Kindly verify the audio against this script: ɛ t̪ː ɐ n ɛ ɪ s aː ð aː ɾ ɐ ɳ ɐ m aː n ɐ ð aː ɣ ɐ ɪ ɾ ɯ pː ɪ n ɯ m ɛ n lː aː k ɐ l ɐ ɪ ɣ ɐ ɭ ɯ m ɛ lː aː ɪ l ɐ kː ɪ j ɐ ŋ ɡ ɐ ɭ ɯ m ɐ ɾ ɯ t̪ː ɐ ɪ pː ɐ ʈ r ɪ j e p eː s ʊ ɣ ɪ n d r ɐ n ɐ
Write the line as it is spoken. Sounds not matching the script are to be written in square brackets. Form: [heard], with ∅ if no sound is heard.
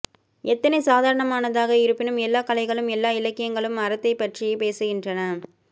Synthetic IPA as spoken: ɛ t̪ː ɐ n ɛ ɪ s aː ð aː ɾ ɐ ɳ ɐ m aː n ɐ ð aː ɣ ɐ ɪ ɾ ɯ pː ɪ n ɯ m ɛ [∅] lː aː k ɐ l ɐ ɪ ɣ ɐ ɭ ɯ m ɛ lː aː ɪ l ɐ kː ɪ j ɐ ŋ ɡ ɐ ɭ ɯ m ɐ ɾ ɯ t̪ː ɐ ɪ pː ɐ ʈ r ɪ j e p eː s [ɯ] ɣ ɪ n d r ɐ n ɐ